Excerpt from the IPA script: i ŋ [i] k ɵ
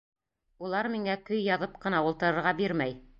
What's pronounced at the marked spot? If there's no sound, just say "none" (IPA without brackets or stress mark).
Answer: æ